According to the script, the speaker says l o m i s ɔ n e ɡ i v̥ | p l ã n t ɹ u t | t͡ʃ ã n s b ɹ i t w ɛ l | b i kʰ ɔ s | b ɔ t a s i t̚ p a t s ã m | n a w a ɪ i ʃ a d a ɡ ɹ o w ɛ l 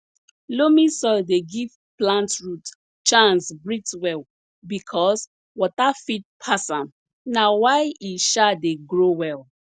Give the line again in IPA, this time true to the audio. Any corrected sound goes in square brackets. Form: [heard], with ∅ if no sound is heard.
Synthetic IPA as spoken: l o m i s ɔ [d] e ɡ i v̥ | p l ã n t ɹ u t | t͡ʃ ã n s b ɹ i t w ɛ l | b i kʰ ɔ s | [w] ɔ t a [f] i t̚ [pʰ] a [∅] s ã m | n a w a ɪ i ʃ a d [e] ɡ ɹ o w ɛ l